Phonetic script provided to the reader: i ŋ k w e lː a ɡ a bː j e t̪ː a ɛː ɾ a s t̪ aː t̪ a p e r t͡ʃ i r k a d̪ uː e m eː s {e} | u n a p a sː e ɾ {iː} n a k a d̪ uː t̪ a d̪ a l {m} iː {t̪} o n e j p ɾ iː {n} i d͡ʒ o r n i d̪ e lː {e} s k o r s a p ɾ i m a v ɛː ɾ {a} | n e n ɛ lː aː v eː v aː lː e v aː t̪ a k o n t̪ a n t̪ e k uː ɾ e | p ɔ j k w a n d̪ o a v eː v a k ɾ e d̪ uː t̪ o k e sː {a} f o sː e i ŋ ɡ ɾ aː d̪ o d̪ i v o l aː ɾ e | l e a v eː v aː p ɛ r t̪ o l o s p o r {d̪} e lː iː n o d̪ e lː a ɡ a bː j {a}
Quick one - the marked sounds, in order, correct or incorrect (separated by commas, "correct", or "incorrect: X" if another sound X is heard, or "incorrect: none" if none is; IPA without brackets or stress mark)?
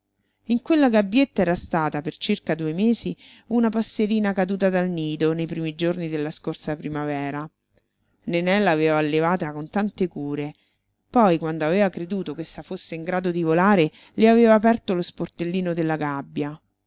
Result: incorrect: i, correct, incorrect: n, incorrect: d̪, incorrect: m, incorrect: a, correct, correct, incorrect: t̪, correct